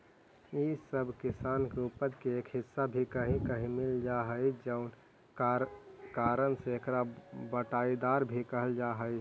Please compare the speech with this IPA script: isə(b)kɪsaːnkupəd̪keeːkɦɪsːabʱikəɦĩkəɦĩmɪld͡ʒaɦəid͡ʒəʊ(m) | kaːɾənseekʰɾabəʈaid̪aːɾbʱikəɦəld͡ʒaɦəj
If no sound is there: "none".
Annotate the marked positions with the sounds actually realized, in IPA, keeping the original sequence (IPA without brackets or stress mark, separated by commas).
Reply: b, n